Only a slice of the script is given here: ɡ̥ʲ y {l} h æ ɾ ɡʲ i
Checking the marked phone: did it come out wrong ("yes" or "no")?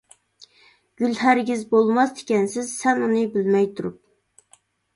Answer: no